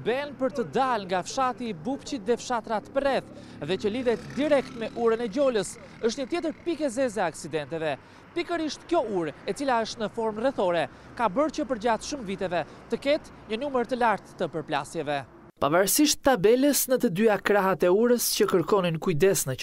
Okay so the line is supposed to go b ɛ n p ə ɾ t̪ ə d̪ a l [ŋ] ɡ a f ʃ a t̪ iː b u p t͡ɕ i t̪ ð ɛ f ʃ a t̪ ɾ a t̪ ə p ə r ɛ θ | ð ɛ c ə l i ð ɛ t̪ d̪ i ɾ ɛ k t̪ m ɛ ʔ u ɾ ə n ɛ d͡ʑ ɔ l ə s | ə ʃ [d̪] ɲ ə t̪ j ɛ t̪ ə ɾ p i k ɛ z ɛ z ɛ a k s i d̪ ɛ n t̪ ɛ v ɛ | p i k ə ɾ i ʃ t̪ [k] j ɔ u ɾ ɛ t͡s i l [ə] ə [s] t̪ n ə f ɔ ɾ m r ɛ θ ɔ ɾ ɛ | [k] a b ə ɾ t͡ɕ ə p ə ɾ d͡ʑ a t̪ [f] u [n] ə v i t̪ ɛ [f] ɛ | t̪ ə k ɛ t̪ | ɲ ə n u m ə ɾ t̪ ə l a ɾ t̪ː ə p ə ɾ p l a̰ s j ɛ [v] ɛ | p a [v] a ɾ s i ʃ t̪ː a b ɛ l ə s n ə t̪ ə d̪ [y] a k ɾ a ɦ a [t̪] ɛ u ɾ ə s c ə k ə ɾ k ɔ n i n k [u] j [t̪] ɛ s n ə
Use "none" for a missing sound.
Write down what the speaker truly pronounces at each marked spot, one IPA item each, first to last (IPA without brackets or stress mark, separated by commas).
ŋ, t̪, k, a, ʃ, k, ʃ, m, v, v, v, y, t̪, u, d̪